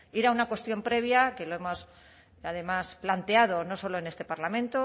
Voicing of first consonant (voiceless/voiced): voiced